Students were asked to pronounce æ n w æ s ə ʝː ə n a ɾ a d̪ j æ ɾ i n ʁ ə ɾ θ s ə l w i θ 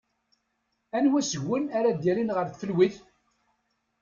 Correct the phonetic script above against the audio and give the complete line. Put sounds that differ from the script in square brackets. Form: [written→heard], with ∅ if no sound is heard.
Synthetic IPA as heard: æ n w æ s ə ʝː ə n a ɾ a d̪ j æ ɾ i n ʁ ə ɾ θ [s→f] ə l w i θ